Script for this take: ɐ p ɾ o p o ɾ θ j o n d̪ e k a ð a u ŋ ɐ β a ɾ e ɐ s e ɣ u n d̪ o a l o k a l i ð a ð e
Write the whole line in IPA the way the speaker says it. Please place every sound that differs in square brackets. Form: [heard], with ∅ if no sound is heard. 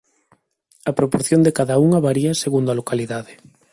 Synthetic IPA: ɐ p ɾ o p o ɾ θ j o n d̪ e k a ð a u ŋ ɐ β a ɾ [i] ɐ s e ɣ u n d̪ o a l o k a l i ð a ð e